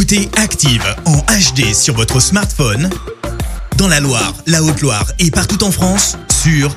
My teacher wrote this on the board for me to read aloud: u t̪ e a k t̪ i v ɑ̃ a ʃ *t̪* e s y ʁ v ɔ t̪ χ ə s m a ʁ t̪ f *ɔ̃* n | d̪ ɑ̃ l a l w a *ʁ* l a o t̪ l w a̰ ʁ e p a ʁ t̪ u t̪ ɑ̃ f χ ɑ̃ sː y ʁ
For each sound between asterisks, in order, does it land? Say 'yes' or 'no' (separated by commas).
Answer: no, no, yes